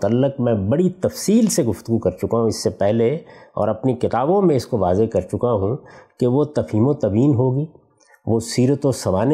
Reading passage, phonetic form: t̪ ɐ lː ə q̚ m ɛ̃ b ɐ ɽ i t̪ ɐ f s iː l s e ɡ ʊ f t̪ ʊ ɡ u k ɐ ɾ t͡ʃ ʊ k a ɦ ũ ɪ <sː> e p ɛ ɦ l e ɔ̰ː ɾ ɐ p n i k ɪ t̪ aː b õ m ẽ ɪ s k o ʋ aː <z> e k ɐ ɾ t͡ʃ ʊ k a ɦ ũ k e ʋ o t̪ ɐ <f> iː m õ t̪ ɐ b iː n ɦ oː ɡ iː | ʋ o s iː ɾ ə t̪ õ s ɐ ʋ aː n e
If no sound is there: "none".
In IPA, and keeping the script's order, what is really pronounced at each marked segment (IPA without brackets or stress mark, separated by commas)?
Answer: sː, z, f